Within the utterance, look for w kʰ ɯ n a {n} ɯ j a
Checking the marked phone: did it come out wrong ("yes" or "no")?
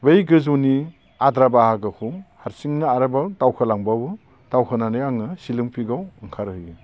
no